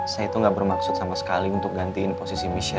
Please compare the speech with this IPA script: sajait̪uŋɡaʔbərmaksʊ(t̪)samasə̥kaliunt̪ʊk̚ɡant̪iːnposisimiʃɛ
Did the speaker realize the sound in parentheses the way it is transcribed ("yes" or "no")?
yes